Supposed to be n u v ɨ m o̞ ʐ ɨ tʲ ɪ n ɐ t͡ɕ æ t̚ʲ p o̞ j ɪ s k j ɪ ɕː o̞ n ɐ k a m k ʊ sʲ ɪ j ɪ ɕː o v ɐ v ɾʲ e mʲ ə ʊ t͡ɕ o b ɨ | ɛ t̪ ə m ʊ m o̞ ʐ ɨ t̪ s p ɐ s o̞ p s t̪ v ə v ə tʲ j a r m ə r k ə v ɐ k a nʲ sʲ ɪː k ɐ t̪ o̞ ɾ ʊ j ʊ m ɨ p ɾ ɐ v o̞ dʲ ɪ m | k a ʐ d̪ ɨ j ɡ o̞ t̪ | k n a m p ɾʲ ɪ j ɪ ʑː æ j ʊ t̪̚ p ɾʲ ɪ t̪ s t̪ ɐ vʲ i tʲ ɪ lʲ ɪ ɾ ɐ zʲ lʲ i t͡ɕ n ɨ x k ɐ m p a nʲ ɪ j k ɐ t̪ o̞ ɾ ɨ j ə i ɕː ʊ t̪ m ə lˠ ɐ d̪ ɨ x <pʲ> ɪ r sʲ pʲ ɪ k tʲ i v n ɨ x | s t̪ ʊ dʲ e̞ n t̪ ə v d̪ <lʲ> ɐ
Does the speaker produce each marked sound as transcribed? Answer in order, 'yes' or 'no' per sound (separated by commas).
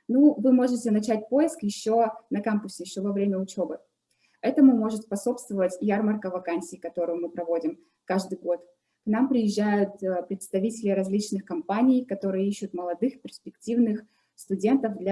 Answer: yes, yes